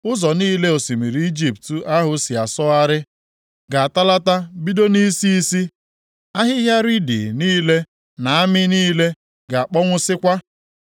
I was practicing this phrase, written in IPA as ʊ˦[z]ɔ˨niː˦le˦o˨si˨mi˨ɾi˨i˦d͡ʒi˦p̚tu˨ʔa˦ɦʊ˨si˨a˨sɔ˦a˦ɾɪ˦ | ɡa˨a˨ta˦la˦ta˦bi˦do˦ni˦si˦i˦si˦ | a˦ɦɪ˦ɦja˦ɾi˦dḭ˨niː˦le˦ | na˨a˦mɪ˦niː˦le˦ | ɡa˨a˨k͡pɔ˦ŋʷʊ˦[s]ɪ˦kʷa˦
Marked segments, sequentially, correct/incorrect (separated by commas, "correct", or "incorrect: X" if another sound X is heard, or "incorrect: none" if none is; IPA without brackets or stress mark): correct, correct